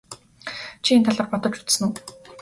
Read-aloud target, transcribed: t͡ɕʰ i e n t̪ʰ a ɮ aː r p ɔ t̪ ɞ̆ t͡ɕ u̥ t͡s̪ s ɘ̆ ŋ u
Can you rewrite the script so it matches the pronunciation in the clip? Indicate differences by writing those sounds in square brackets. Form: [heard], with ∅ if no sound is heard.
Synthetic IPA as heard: t͡ɕʰ i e n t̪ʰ a ɮ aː r p ɔ t̪ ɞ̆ t͡ɕ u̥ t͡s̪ s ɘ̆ [n] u

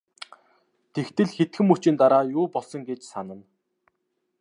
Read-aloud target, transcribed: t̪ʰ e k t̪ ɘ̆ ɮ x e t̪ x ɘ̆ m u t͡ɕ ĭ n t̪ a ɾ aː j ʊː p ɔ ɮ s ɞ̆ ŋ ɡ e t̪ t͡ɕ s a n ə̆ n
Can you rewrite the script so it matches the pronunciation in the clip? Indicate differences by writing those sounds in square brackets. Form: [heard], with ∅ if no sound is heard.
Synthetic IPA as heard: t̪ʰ e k t̪ ɘ̆ ɮ x e t̪ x ɘ̆ m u t͡ɕ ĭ n t̪ a ɾ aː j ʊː p ɔ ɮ s ɞ̆ ŋ ɡ e [∅] t͡ɕ s a n ə̆ n

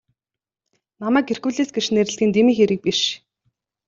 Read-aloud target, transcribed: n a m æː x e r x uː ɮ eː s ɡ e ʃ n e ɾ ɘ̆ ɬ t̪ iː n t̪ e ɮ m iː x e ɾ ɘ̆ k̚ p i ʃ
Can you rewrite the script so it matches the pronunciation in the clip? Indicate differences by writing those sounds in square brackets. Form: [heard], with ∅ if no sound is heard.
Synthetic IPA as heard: n a m æː [k] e r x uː ɮ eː s ɡ e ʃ n e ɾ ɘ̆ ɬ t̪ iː n t̪ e [∅] m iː x e ɾ ɘ̆ k̚ p i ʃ

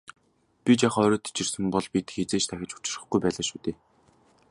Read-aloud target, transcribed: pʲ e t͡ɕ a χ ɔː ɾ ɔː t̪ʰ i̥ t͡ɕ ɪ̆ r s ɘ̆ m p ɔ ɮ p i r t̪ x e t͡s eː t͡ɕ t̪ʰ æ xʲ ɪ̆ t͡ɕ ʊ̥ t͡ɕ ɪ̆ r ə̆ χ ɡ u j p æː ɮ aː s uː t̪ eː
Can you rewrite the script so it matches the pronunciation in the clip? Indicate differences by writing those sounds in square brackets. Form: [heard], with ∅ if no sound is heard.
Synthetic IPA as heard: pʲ [i] t͡ɕ a χ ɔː ɾ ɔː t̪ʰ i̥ t͡ɕ ɪ̆ r s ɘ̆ m p ɔ ɮ p i [∅] t̪ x e t͡s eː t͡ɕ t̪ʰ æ xʲ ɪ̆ t͡ɕ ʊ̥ t͡ɕ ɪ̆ r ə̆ χ ɡ u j p æː ɮ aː [ʃ] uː t̪ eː

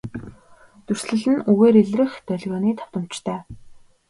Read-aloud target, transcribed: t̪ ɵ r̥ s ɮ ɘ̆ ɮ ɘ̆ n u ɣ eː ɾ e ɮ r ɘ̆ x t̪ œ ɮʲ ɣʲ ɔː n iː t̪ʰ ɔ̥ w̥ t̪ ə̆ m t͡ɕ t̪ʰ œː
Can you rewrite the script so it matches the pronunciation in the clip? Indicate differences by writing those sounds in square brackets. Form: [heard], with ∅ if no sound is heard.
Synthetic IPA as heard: t̪ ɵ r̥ s ɮ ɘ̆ ɮ ɘ̆ n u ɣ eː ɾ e ɮ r ɘ̆ x t̪ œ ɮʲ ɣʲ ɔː n iː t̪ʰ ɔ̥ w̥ t̪ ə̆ m t͡ɕ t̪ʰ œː

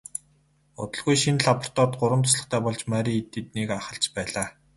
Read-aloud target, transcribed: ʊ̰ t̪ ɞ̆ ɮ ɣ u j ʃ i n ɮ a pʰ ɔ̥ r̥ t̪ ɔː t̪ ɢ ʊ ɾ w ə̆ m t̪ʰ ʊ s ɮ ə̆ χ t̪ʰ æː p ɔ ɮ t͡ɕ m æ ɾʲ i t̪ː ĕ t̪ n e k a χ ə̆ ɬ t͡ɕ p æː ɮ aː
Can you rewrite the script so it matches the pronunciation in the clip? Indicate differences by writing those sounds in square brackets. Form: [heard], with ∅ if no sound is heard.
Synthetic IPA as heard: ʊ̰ t̪ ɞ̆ ɮ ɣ u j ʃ i n ɮ a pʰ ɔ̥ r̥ t̪ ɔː t̪ ɢ ʊ ɾ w ə̆ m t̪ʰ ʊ s ɮ ə̆ χ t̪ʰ æː p ɔ ɮ t͡ɕ m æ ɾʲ i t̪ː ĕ t̪ n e k a χ ə̆ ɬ t͡ɕ p æː ɮ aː

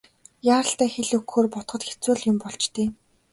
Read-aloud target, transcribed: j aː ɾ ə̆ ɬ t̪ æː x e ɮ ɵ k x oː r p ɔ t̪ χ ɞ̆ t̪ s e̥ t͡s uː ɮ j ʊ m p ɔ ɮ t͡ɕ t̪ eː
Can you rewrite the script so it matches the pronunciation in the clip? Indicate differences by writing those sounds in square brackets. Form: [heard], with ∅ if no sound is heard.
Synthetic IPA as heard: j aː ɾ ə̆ ɬ t̪ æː x e ɮ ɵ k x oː r p ɔ t̪ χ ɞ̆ t̪ [x] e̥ t͡s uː ɮ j ʊ m p ɔ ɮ t͡ɕ t̪ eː

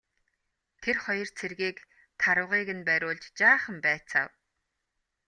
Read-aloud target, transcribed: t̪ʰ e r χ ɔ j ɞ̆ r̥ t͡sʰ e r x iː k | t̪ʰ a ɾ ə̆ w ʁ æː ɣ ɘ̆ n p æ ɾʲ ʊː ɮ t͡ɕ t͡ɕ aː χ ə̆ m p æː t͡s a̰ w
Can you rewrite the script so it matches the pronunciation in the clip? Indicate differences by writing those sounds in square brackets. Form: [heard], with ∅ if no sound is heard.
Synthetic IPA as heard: t̪ʰ e r χ ɔ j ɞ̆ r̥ t͡sʰ e r [ɣ] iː k | t̪ʰ a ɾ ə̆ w ʁ [iː] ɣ ɘ̆ n p æ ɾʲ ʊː ɮ t͡ɕ t͡ɕ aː χ ə̆ m p æː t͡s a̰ w

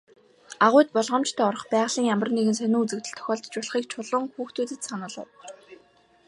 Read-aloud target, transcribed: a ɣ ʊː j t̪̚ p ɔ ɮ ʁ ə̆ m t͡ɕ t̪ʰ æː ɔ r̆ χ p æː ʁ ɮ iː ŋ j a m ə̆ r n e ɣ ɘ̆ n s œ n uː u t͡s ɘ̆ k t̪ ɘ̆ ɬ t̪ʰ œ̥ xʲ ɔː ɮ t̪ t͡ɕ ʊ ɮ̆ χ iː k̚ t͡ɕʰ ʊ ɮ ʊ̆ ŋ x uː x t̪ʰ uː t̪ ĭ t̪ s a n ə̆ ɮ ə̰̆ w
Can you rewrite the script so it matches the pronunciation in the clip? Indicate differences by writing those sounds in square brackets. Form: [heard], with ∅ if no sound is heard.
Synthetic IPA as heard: a [ʁ] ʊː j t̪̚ p ɔ ɮ ʁ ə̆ m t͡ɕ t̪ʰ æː ɔ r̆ χ p æː ʁ ɮ iː ŋ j a m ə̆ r n e ɣ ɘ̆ n s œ n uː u t͡s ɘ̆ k t̪ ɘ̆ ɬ t̪ʰ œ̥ xʲ ɔː ɮ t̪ t͡ɕ ʊ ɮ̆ χ iː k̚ t͡ɕʰ ʊ ɮ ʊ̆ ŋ x uː x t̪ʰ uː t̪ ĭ t̪ s a n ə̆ ɮ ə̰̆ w

